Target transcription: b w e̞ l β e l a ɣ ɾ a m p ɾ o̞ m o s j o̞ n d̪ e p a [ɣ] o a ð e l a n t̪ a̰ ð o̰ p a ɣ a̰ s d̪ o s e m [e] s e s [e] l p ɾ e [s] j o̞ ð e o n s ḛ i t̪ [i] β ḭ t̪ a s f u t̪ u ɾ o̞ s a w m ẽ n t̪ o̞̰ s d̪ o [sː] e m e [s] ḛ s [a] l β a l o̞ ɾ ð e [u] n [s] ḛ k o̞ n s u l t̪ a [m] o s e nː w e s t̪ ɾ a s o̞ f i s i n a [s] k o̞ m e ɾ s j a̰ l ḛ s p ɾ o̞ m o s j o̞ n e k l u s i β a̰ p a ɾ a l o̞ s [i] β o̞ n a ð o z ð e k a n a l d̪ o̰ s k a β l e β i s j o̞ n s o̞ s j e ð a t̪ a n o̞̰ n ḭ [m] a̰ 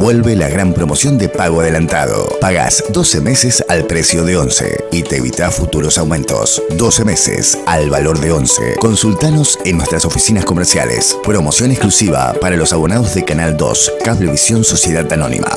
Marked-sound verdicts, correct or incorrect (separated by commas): correct, correct, incorrect, correct, incorrect, incorrect, correct, correct, incorrect, correct, incorrect, correct, incorrect, correct